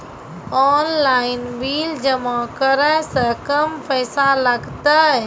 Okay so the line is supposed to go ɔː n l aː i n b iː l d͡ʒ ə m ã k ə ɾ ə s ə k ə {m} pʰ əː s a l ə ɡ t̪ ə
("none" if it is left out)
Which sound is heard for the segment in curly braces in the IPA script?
m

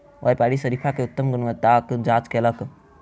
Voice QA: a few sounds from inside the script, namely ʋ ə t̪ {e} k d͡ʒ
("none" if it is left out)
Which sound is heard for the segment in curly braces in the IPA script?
a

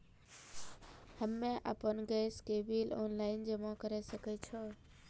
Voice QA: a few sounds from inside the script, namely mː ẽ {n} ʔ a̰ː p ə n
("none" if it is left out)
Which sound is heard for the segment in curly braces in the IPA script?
none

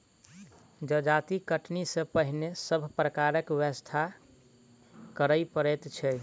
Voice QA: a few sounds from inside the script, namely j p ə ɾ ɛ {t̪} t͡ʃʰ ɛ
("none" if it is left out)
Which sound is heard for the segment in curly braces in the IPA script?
t̪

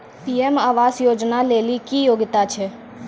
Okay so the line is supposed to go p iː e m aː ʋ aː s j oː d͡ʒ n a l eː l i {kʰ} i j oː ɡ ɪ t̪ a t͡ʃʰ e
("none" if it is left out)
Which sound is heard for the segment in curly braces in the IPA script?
k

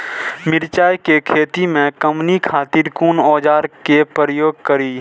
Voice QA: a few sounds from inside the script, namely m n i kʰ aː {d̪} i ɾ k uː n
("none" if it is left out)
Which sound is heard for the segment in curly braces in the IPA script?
t̪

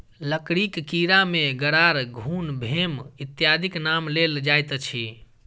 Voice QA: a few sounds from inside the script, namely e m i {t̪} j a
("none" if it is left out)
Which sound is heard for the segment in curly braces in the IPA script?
t̪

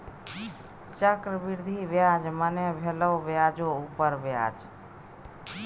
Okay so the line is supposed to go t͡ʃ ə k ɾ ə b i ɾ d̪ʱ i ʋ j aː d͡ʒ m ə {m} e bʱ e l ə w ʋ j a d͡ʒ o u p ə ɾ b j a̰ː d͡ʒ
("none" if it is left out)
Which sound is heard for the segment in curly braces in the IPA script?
n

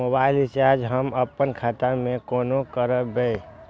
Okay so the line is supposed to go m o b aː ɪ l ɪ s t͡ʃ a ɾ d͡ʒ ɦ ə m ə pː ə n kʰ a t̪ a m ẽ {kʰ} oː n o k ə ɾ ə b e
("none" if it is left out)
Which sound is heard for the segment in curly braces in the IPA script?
k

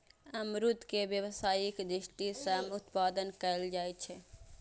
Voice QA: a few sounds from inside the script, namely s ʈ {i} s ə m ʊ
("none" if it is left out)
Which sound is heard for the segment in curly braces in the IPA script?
i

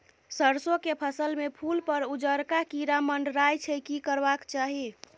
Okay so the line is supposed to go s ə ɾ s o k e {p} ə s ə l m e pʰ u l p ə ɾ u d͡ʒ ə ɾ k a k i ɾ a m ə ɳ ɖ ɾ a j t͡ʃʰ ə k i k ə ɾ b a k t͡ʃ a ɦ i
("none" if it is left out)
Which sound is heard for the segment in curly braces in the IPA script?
pʰ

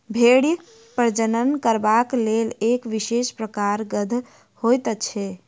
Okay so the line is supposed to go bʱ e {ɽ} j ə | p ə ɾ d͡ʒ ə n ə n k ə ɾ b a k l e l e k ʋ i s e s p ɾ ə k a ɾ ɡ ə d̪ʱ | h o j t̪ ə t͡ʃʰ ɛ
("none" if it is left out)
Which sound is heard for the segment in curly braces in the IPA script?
ɽ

